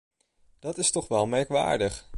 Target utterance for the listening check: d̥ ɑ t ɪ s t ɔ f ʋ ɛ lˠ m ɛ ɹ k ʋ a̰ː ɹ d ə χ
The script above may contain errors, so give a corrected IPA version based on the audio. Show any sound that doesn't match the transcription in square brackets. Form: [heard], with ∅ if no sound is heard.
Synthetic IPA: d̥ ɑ t ɪ s t ɔ [χ] ʋ ɛ lˠ m ɛ ɹ k ʋ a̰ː ɹ d ə χ